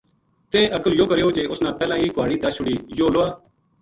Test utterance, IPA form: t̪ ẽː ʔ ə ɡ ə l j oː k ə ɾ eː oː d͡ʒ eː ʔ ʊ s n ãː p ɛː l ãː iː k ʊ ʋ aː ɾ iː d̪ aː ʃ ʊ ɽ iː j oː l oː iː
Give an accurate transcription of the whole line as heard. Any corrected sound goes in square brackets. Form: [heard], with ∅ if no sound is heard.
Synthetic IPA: t̪ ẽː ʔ ə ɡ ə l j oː k ə ɾ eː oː d͡ʒ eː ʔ ʊ s n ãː p ɛː l ãː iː k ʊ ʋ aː [ɽ] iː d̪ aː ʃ ʊ ɽ iː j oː l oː [aː]